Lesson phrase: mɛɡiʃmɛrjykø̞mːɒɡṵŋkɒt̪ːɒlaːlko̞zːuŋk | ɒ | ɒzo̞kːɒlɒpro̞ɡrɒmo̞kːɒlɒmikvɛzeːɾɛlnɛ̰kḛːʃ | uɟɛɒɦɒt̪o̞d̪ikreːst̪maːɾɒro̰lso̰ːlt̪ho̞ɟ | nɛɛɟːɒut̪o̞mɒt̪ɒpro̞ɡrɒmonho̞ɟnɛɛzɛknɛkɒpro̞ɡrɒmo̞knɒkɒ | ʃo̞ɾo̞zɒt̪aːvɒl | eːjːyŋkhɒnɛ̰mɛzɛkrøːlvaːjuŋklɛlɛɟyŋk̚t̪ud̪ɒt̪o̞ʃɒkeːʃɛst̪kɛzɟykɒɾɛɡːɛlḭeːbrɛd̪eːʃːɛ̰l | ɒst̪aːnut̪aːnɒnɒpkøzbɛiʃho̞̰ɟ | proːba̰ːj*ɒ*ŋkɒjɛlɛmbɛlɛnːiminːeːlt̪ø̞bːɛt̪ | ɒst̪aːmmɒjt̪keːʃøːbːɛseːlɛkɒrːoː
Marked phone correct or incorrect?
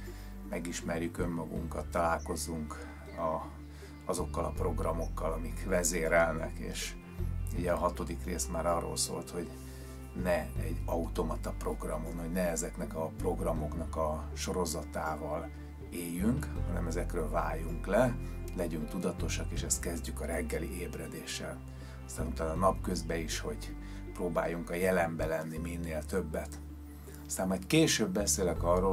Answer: incorrect